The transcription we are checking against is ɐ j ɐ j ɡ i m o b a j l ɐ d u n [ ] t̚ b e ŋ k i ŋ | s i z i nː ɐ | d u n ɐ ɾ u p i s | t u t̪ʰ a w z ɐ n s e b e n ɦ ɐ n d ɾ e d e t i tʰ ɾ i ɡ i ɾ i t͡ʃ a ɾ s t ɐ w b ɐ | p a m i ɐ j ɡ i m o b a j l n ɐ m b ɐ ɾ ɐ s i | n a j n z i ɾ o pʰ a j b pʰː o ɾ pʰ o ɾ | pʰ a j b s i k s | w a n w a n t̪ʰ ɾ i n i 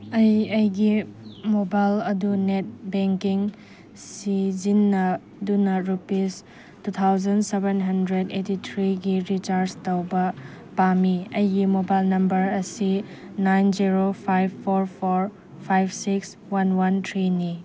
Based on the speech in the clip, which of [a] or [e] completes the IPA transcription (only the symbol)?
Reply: e